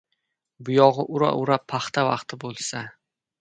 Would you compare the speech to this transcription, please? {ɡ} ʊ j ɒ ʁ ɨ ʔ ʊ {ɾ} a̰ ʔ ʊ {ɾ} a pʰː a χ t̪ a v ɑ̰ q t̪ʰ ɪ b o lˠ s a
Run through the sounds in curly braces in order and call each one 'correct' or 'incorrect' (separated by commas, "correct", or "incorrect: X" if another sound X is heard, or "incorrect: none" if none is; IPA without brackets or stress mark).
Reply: incorrect: b, correct, correct